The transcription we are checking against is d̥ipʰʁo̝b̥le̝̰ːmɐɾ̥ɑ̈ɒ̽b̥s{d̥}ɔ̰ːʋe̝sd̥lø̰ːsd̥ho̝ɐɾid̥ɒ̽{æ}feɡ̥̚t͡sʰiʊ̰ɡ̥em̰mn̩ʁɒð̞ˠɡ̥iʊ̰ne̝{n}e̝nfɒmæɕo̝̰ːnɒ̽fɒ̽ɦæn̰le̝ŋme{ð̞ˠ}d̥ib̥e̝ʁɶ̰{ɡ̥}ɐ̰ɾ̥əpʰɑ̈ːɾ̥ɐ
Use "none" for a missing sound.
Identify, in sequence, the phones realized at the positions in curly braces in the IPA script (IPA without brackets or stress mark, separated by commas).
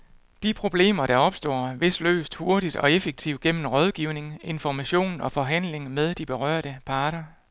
d̥, e, ŋ, ð̞ˠ, none